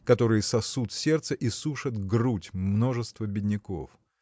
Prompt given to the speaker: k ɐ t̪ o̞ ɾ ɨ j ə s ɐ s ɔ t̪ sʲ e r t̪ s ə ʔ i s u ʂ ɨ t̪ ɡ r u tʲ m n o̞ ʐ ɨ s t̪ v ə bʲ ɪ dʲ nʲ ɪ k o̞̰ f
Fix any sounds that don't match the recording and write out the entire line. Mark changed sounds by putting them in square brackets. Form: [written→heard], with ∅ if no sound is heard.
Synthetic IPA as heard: k ɐ t̪ o̞ ɾ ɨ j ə s ɐ s [ɔ→u] t̪ sʲ e r t̪ s ə ʔ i s u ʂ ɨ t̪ ɡ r u tʲ m n o̞ ʐ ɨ s t̪ v ə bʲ ɪ dʲ nʲ ɪ k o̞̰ f